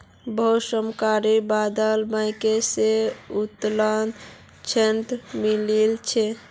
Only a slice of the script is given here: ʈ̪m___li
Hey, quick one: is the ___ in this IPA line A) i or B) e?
A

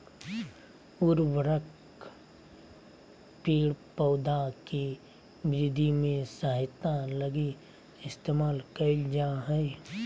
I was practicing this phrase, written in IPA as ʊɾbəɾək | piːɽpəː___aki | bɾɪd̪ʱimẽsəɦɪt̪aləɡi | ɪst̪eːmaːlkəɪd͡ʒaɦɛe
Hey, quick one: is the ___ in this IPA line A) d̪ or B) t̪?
A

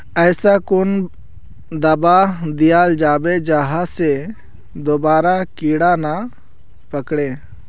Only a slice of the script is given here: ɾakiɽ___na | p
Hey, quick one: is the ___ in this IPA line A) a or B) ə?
A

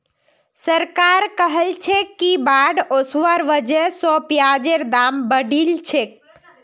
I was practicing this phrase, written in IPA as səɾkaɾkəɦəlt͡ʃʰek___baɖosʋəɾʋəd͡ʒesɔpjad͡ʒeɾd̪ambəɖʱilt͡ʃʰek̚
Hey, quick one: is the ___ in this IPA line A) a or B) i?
B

